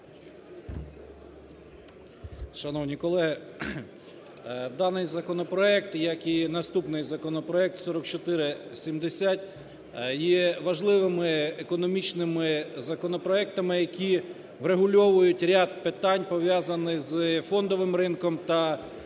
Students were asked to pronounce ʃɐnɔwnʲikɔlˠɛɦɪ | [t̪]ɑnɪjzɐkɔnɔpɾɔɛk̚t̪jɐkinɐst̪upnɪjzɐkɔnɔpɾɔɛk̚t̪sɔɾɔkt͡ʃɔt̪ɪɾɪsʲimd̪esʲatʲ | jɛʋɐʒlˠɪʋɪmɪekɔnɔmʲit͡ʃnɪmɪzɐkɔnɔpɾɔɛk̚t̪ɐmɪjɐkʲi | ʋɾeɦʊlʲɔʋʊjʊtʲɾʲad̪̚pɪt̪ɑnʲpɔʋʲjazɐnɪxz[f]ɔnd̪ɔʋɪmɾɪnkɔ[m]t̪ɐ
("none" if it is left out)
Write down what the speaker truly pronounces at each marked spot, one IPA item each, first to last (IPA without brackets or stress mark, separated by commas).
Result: d̪, f, m